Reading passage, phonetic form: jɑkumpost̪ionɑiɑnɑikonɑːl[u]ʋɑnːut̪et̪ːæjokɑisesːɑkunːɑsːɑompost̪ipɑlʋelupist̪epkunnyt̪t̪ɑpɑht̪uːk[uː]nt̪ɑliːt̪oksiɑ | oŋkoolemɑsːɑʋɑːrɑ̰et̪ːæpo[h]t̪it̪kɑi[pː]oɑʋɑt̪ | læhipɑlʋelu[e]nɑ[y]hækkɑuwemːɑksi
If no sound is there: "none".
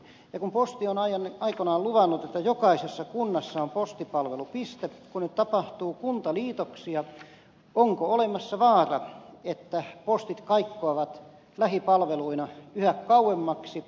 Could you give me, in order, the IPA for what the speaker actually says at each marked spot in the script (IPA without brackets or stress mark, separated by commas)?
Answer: u, u, s, kː, i, y